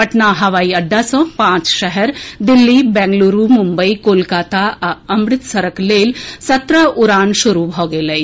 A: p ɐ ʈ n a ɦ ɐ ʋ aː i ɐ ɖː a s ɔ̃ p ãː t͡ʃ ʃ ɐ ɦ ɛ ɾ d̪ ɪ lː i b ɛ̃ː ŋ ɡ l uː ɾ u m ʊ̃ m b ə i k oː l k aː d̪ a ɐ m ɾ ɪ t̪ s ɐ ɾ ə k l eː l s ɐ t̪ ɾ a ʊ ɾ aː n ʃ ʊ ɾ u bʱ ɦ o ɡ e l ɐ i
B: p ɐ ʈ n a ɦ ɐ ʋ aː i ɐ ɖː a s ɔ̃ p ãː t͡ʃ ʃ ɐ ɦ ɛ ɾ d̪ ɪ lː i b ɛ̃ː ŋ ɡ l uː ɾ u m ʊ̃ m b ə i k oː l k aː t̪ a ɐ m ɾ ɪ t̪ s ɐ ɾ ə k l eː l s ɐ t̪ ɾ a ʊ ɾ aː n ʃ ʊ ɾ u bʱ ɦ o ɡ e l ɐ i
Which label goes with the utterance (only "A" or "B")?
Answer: B